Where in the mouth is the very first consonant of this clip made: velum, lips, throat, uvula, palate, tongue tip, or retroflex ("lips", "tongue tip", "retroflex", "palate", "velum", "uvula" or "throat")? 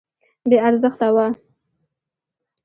lips